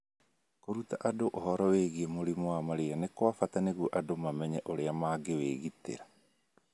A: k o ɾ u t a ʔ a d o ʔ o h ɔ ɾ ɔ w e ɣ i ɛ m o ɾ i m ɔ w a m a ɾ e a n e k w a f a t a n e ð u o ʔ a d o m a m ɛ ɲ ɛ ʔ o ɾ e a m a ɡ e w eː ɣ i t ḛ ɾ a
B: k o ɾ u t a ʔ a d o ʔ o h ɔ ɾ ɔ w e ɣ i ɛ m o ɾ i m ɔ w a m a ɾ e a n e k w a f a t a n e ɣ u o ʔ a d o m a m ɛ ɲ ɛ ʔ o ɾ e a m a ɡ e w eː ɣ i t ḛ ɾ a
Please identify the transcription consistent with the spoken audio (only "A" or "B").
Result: B